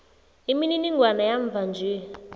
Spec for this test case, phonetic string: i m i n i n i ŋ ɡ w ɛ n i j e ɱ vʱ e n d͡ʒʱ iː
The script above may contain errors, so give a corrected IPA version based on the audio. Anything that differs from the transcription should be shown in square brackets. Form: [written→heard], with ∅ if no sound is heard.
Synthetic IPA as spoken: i m i n i n i ŋ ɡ w [ɛ→a] n [i→a] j [e→a] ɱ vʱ [e→a] n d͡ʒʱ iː

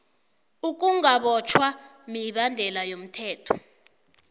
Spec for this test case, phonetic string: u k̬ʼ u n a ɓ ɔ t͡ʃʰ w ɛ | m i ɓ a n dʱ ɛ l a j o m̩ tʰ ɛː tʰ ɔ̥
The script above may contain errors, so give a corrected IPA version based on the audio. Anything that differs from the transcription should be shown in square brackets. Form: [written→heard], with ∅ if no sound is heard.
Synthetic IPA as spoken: u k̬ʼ u [n→ŋ] a ɓ ɔ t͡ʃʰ w [ɛ→a] | m i ɓ a n dʱ ɛ l a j o m̩ tʰ ɛː tʰ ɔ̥

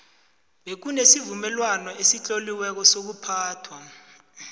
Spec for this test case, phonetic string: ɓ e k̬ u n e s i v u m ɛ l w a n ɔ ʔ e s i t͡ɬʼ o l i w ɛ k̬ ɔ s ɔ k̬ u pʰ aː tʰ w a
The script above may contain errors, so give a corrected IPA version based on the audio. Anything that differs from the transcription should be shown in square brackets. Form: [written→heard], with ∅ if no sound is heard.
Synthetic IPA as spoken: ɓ e k̬ u n e s i v u m ɛ l w a n ɔ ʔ e s i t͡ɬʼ o l i w ɛ k̬ ɔ s [ɔ→o] k̬ u pʰ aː tʰ w a

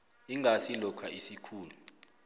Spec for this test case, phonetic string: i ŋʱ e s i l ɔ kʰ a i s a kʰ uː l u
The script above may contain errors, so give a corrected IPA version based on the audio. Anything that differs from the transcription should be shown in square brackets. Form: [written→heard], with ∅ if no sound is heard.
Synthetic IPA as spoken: i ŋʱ [e→a] s i l ɔ kʰ a i s [a→i] kʰ uː l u

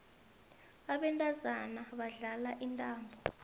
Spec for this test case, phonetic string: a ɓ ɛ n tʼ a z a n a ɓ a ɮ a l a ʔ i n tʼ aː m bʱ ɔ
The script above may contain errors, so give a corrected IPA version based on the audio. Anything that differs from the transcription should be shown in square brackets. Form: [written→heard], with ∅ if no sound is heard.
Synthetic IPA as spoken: a ɓ ɛ n tʼ a z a n a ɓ a ɮ a l a ʔ i n tʼ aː m bʱ ɔ

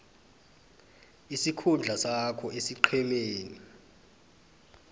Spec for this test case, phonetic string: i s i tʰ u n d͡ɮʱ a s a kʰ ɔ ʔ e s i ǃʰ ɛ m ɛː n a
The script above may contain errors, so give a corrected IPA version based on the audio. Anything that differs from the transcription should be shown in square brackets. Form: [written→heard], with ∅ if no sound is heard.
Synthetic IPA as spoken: i s i [tʰ→kʰ] u n d͡ɮʱ a s a kʰ ɔ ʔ e s i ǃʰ ɛ m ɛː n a

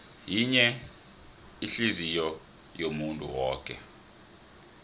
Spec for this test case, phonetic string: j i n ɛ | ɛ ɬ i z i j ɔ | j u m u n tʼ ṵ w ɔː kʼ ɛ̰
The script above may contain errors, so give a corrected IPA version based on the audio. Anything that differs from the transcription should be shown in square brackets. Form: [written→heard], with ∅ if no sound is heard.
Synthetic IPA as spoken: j i [n→ɲ] ɛ | [ɛ→i] ɬ i z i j ɔ | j [u→o] m u n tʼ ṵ w ɔː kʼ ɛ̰

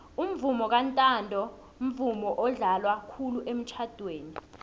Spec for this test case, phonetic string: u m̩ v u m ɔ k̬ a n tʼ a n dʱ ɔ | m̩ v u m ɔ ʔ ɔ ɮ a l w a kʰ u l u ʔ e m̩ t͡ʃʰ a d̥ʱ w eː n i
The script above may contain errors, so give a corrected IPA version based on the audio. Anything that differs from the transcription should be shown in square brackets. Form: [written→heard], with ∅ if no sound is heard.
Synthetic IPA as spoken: u m̩ v u m ɔ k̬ a n tʼ a n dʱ ɔ | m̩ v u m ɔ ʔ ɔ ɮ a l w a kʰ u l u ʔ e m̩ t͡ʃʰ a d̥ʱ w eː n i

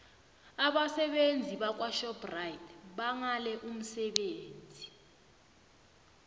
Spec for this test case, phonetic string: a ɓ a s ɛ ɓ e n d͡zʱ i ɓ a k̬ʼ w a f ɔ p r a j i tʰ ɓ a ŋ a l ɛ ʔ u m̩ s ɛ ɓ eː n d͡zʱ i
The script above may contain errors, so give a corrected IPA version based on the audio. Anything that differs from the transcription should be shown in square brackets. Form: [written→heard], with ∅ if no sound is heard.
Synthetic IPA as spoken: a ɓ a s ɛ ɓ e n d͡zʱ i ɓ a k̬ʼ w a [f→ʃ] ɔ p r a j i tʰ ɓ a ŋ a l ɛ ʔ u m̩ s ɛ ɓ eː n d͡zʱ i

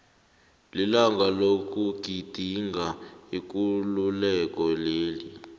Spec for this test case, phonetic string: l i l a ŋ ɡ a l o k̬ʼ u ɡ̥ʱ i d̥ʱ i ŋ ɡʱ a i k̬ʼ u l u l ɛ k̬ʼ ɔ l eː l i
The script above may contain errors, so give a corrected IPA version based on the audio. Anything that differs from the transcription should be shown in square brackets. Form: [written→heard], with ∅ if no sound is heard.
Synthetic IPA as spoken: l i l a ŋ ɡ a l o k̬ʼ u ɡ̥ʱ i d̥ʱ i ŋ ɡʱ a i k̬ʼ u l u l ɛ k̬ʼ ɔ l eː l i

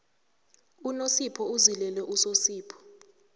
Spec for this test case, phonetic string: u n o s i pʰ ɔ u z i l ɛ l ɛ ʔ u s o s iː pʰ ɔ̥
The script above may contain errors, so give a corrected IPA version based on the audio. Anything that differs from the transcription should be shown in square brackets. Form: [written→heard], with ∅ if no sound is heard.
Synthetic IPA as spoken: u n o s i pʰ ɔ u z i l ɛ l ɛ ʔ u s o s iː pʰ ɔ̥

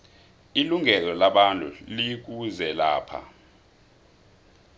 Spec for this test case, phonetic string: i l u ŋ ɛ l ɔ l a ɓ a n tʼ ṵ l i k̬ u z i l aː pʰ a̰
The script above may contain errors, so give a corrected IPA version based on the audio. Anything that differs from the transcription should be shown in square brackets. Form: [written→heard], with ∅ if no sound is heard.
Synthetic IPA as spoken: i l u ŋ ɛ l ɔ l a ɓ a n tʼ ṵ l i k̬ u z [i→ɛ] l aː pʰ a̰

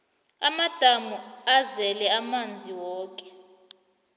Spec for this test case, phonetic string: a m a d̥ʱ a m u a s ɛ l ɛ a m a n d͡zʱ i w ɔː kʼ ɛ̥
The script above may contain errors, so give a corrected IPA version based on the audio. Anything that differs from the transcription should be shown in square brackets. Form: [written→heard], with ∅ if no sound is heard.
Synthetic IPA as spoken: a m a d̥ʱ a m u a [s→z] ɛ l ɛ a m a n d͡zʱ i w ɔː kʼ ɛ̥

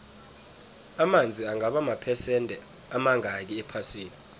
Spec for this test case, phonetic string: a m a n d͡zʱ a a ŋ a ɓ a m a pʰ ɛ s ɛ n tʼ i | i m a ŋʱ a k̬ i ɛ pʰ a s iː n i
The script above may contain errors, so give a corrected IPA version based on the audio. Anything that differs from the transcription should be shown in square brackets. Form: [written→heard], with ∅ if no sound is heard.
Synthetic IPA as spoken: a m a n d͡zʱ [a→i] a ŋ a ɓ a m a pʰ ɛ s ɛ n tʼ [i→ɛ] | [i→a] m a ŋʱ a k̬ i ɛ pʰ a s iː n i

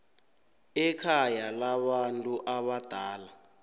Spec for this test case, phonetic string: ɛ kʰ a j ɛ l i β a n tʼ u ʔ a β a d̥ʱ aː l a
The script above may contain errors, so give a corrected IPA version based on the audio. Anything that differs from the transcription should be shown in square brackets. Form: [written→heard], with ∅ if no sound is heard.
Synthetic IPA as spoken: ɛ kʰ a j [ɛ→a] l [i→a] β a n tʼ u ʔ a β a d̥ʱ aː l a

